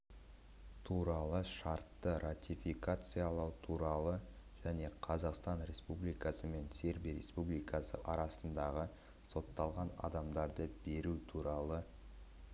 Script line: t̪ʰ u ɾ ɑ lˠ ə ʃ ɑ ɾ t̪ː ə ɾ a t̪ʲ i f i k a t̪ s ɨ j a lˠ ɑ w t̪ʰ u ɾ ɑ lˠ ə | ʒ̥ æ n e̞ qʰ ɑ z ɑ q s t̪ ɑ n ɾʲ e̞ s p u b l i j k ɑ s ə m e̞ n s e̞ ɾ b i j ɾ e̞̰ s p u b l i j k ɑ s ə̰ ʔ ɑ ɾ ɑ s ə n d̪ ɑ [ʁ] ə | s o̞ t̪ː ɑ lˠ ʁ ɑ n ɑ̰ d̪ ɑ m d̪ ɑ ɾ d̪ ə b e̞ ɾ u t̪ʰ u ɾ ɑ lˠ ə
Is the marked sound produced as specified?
yes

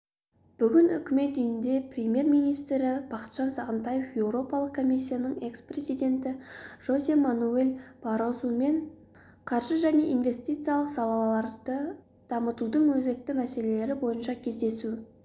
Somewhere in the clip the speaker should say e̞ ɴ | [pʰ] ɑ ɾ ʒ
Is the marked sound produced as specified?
no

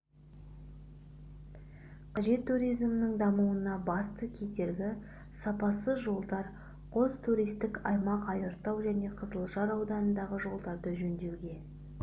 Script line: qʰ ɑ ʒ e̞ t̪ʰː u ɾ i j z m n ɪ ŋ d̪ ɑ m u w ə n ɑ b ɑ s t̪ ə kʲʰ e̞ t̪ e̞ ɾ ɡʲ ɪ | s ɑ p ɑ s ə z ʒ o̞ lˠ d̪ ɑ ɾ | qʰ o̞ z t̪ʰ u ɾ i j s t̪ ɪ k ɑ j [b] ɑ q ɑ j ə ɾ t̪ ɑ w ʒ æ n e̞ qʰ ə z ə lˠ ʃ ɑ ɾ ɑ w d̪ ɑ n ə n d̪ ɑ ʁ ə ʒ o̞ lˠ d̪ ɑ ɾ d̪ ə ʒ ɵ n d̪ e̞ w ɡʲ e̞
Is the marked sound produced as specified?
no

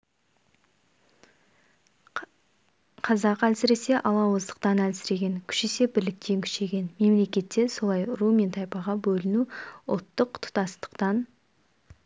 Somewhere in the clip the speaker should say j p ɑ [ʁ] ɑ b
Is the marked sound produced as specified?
yes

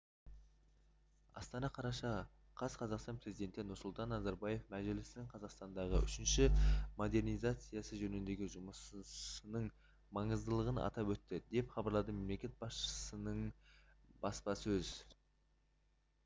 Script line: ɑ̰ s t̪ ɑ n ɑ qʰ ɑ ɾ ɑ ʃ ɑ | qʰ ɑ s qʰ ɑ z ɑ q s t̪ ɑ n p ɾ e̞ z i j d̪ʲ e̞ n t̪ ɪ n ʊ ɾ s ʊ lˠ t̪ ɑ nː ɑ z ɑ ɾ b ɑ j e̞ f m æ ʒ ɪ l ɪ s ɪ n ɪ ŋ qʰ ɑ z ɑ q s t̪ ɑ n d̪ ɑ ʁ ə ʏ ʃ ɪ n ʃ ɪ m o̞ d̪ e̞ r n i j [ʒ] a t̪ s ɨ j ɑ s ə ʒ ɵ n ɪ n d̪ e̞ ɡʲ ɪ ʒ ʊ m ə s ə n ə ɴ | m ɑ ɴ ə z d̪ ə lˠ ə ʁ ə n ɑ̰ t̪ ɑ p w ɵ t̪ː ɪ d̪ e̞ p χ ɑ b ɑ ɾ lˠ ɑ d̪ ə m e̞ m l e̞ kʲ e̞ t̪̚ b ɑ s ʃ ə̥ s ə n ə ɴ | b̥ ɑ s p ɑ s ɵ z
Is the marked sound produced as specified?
no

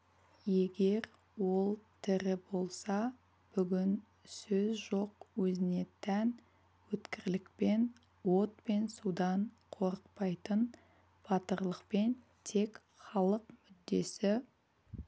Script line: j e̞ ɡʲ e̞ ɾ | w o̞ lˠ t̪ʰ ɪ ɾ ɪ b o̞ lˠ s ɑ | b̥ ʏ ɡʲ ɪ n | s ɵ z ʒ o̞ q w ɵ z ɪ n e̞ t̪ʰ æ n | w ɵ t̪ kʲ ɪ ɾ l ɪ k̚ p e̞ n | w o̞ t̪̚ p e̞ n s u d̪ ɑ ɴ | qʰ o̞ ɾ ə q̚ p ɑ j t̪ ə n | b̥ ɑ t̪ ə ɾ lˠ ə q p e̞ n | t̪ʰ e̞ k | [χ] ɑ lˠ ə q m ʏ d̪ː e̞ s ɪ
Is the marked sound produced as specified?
yes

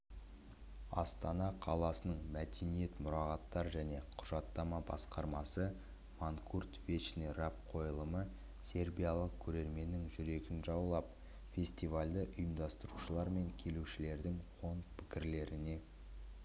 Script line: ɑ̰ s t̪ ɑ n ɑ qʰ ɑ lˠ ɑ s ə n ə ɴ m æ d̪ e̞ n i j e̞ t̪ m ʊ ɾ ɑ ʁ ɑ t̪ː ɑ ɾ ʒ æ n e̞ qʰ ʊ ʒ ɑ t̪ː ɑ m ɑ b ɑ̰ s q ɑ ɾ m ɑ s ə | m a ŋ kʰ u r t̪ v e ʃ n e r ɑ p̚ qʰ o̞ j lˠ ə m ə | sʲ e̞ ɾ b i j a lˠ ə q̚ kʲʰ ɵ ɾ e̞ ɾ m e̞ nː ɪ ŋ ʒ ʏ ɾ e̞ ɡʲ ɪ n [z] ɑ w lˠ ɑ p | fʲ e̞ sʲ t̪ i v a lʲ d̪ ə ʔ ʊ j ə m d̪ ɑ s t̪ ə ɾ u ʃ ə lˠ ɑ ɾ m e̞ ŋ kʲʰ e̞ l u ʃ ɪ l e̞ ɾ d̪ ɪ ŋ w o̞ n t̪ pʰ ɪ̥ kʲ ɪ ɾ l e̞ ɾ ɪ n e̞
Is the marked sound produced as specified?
no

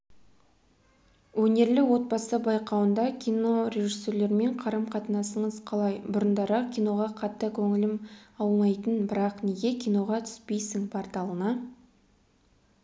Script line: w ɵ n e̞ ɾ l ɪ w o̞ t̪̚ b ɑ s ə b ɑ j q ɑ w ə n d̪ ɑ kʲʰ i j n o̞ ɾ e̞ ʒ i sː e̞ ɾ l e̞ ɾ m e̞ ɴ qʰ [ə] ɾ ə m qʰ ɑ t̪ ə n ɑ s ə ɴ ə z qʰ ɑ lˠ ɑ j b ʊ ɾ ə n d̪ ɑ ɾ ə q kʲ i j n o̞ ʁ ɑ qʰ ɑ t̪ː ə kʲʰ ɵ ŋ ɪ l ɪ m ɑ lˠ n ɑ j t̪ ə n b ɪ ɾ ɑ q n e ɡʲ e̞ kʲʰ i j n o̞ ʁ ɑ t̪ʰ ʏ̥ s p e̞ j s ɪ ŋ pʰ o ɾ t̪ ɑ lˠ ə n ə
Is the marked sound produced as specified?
no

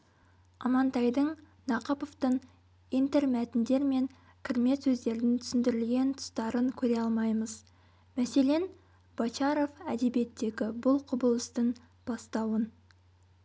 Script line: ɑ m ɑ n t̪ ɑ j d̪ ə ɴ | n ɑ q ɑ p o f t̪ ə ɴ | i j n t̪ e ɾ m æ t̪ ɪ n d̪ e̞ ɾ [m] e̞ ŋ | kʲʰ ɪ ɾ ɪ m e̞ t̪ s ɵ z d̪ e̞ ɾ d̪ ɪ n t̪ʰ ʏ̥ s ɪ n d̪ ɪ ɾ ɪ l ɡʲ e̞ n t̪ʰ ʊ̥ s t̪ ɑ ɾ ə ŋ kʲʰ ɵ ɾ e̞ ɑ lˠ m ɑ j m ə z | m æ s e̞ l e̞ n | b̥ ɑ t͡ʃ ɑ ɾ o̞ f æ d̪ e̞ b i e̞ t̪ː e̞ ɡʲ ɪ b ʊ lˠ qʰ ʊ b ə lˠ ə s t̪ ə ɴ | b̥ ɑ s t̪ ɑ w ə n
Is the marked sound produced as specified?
yes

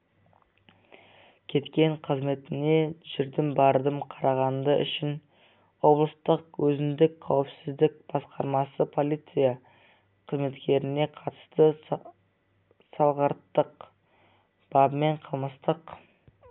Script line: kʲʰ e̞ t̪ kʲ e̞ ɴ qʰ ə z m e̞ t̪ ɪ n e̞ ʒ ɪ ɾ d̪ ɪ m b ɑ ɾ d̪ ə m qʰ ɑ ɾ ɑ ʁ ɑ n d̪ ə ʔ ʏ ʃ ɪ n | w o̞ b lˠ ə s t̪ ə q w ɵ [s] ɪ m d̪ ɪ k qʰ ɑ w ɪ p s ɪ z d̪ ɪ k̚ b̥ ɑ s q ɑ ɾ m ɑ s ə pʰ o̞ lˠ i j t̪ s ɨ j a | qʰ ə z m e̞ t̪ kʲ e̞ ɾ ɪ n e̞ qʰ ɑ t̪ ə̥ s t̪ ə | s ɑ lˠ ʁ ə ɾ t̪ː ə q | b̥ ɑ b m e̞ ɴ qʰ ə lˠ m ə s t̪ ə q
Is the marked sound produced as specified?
no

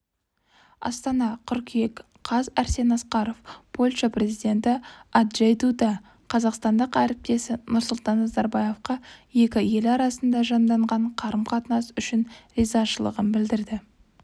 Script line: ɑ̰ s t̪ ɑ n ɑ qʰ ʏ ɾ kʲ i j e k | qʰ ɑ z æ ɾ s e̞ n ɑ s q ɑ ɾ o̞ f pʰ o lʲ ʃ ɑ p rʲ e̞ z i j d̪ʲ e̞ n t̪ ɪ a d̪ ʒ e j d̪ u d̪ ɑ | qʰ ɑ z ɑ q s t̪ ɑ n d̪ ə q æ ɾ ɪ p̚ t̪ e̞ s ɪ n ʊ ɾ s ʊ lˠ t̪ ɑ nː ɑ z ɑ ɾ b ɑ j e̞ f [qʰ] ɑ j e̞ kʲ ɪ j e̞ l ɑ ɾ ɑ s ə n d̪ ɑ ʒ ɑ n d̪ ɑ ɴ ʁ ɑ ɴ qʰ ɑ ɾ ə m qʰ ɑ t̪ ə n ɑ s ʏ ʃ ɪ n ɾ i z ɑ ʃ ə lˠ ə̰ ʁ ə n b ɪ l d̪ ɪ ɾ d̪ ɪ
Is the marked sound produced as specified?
no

